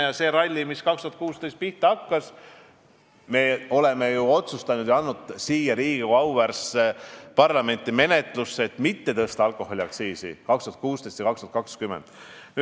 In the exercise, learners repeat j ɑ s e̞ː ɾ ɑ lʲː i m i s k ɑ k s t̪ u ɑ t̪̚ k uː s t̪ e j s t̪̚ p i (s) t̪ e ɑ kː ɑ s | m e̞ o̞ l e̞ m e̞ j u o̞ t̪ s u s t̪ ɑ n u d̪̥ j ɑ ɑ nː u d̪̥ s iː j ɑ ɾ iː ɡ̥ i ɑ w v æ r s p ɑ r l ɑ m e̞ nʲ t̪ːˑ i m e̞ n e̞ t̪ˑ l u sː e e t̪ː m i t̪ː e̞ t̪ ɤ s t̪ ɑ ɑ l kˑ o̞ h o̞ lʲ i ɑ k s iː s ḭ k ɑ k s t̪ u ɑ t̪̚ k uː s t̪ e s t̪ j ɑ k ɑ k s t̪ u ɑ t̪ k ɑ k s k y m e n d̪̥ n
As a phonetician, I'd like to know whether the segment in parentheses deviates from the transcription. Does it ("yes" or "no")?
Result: yes